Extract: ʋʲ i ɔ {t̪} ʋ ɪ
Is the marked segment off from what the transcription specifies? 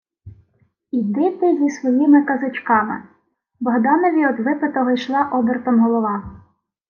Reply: yes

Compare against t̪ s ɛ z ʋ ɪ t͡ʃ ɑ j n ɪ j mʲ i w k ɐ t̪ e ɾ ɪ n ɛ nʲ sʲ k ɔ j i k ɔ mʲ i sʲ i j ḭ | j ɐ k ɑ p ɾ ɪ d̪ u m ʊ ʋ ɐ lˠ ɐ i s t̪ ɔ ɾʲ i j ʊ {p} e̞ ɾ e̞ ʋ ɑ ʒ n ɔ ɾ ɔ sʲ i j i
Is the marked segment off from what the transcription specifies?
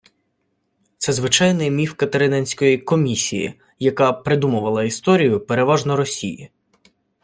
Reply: no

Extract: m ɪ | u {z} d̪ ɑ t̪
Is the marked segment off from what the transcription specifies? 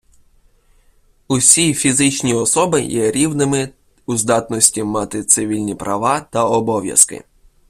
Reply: no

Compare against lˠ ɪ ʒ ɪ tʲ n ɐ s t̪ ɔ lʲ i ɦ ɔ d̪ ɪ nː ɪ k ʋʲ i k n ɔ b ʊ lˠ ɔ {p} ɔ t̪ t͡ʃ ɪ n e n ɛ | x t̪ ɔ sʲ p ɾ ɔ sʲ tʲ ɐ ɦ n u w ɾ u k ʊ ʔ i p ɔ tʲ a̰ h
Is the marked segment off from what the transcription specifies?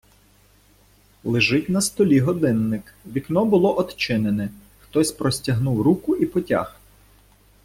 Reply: yes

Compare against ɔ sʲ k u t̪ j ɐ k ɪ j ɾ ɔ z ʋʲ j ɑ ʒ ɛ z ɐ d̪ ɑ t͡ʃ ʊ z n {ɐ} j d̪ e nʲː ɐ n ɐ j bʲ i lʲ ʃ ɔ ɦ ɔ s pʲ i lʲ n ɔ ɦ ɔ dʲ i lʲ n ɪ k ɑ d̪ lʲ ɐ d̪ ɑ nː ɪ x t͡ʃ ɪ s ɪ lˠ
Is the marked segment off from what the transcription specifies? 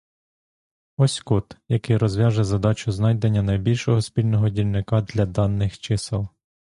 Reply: yes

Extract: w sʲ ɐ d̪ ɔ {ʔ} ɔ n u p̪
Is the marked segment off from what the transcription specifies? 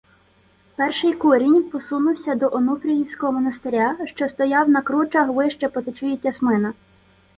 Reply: no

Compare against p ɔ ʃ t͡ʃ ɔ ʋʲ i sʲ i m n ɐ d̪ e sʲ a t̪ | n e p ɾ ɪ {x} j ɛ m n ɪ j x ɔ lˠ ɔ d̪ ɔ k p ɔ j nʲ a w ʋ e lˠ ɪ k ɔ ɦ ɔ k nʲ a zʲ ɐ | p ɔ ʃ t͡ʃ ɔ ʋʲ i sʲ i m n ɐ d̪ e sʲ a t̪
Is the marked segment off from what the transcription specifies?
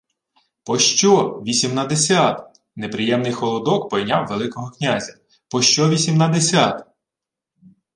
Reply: yes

